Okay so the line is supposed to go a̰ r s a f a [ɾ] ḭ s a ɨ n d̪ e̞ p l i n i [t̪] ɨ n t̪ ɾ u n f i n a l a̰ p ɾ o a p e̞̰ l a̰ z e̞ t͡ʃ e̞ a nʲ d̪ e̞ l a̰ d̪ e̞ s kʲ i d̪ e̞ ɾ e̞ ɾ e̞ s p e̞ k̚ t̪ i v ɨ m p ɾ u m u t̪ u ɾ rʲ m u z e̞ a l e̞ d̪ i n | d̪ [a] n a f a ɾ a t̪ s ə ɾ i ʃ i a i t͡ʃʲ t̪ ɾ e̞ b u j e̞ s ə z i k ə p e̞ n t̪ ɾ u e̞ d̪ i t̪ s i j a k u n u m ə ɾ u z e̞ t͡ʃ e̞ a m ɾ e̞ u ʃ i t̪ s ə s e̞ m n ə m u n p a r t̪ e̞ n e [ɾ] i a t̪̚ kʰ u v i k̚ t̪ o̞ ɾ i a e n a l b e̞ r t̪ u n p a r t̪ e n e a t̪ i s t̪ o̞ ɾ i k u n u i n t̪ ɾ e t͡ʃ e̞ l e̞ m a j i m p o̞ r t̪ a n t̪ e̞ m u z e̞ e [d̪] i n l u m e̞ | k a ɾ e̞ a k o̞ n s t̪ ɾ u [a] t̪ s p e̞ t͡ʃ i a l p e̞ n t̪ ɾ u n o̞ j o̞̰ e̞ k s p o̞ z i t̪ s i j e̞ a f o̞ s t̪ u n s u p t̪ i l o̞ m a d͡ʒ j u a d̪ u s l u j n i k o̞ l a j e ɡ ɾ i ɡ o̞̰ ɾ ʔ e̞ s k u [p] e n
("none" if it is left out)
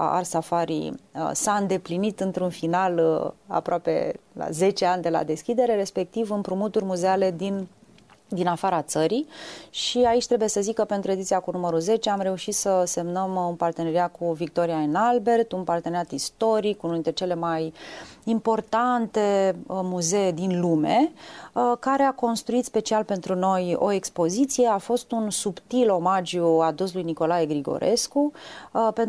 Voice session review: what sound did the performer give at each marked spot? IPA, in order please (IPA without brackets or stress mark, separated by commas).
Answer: ɾ, t̪, i, ɾ, d̪, i, p